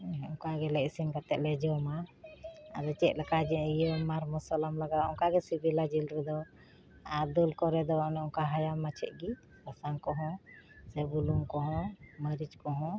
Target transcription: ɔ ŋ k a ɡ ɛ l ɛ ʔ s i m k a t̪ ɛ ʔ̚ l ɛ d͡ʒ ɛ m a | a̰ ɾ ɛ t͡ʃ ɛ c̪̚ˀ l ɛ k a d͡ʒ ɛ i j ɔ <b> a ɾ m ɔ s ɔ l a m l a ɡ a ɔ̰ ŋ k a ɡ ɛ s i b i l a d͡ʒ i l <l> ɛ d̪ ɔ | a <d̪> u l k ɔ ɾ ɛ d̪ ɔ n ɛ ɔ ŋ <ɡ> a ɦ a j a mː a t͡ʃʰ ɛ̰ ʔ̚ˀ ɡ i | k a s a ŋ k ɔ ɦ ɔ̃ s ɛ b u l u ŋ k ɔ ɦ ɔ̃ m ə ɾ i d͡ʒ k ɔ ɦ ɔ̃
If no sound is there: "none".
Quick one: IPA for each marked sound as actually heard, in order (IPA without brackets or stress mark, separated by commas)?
m, ɾ, d̪, k